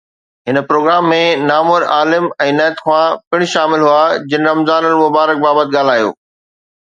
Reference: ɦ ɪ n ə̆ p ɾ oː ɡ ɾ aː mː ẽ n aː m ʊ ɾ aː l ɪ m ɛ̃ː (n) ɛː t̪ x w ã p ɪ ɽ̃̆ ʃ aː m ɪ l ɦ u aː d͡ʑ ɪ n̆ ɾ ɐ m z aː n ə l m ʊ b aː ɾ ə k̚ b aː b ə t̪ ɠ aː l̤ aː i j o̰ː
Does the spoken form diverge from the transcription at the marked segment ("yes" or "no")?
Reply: no